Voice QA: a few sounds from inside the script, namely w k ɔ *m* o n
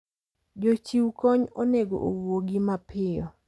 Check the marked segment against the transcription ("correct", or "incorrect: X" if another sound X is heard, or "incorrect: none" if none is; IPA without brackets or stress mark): incorrect: ɲ